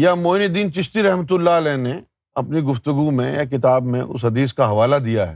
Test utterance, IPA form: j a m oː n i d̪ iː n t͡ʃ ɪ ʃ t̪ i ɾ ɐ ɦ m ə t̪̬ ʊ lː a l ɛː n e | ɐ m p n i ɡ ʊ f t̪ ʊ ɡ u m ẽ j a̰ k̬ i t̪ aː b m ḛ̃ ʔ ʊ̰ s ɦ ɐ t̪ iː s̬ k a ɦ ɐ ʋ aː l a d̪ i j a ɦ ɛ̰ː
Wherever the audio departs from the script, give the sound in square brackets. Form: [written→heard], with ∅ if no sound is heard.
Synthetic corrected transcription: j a m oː n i d̪ iː n t͡ʃ ɪ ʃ t̪ i ɾ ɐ ɦ m ə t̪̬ ʊ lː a l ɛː n e | ɐ [m→∅] p n i ɡ ʊ f t̪ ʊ ɡ u m ẽ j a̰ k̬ [i→ɪ] t̪ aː b m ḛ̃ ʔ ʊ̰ s ɦ ɐ [t̪→d̪] iː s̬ k a ɦ ɐ ʋ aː l a d̪ i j a ɦ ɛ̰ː